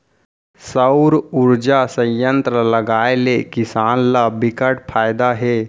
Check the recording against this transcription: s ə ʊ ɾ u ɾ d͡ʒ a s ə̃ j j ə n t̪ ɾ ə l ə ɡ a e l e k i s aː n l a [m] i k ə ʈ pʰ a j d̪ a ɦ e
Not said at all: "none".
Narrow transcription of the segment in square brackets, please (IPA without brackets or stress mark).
b